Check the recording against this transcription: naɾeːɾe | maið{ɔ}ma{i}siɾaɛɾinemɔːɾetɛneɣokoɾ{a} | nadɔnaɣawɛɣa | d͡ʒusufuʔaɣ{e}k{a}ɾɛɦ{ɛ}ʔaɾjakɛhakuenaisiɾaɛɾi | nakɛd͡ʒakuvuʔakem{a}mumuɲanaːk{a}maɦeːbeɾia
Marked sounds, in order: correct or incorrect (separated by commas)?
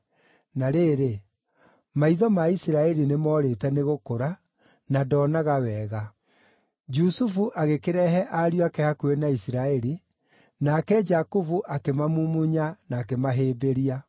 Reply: correct, correct, correct, correct, incorrect, correct, correct, incorrect